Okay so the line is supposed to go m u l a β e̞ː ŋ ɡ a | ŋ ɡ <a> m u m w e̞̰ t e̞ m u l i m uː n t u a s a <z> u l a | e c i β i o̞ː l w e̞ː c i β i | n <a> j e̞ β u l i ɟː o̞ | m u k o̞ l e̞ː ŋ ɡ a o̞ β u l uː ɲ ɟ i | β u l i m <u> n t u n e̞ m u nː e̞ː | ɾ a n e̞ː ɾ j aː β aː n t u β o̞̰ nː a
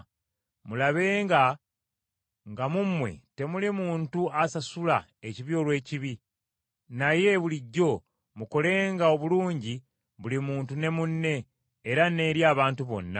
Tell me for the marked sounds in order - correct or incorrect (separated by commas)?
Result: correct, incorrect, correct, incorrect